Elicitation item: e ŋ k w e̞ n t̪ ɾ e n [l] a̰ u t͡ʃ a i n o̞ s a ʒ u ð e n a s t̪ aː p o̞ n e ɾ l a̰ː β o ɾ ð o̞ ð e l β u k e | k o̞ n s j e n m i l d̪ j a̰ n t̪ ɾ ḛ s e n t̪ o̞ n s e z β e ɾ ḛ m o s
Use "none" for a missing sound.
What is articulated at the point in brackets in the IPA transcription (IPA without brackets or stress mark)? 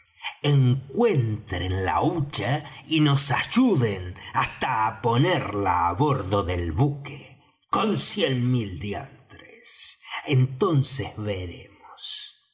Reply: l